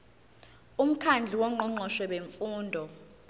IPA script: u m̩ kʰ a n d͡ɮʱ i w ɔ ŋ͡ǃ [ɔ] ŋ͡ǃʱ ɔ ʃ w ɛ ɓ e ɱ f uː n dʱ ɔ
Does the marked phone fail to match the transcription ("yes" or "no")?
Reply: no